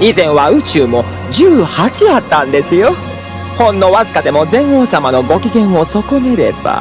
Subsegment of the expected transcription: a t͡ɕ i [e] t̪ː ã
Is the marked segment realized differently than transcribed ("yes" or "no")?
yes